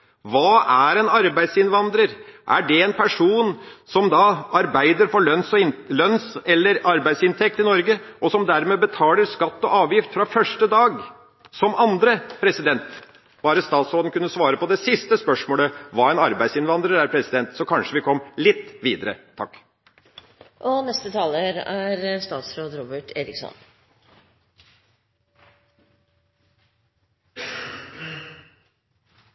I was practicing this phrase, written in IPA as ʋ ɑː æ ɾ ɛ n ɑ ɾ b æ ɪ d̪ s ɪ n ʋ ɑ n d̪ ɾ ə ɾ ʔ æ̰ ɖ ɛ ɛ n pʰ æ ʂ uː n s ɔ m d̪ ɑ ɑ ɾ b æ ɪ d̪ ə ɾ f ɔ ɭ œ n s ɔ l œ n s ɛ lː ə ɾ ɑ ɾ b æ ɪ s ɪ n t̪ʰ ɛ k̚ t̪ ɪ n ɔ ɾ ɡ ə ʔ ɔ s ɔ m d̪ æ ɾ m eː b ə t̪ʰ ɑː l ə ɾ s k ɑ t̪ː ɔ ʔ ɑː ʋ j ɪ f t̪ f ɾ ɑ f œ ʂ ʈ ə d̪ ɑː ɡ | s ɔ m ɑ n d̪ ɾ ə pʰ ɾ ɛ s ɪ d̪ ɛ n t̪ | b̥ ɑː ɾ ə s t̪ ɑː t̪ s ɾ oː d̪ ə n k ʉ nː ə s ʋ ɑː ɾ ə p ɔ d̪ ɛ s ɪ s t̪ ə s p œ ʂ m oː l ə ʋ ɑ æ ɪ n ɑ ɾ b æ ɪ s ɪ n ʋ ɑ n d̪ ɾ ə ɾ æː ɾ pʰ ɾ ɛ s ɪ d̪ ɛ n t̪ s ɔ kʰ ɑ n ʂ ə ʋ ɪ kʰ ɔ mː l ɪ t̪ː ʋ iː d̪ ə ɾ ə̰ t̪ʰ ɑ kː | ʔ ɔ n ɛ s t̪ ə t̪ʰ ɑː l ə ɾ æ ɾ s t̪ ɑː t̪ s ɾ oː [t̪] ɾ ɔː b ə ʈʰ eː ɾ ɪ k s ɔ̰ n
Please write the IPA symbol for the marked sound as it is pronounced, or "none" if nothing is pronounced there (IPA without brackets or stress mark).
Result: d̪